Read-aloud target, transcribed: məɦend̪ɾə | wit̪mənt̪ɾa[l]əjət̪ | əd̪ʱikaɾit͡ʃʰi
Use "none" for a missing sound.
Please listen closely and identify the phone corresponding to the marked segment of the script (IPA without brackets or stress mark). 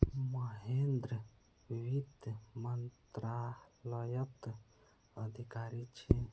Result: l